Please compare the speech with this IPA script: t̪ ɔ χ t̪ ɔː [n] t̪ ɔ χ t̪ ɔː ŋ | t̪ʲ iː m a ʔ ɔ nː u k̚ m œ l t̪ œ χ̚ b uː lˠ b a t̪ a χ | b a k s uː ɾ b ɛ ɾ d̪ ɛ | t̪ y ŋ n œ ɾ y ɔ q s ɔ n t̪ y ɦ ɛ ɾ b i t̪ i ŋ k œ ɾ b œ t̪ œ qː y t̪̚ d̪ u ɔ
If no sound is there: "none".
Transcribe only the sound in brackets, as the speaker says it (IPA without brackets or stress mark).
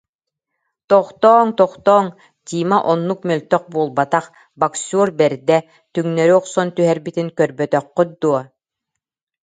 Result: ŋ